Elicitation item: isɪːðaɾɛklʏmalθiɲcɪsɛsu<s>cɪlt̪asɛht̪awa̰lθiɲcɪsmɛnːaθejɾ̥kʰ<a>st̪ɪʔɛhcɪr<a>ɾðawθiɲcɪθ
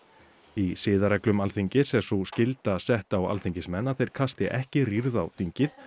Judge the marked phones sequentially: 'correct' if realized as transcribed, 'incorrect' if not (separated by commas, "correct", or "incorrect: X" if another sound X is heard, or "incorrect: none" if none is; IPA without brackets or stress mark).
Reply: correct, correct, incorrect: i